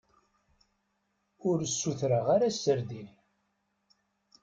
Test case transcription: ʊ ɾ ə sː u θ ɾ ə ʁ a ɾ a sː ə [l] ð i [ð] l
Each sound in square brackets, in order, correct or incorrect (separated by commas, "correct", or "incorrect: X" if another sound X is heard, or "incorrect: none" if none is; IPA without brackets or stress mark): incorrect: ɾ, incorrect: none